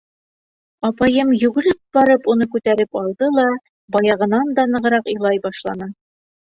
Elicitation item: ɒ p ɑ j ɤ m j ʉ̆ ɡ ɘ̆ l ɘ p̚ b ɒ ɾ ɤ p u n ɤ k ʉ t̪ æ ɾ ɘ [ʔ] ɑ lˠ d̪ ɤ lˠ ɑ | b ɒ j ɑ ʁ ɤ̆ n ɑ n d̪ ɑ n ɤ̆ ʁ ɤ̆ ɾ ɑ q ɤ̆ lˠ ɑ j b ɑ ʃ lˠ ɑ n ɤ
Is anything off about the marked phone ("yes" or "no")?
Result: yes